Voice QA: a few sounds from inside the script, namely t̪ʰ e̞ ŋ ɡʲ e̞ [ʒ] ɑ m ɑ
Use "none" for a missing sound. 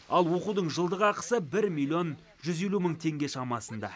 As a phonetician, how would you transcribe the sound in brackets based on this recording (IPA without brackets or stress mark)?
ʃ